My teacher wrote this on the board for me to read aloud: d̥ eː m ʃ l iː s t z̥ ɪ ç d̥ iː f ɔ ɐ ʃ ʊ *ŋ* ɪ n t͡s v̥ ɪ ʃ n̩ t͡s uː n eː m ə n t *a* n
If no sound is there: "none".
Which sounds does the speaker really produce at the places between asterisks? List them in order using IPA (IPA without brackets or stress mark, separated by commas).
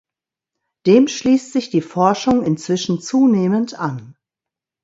ŋ, a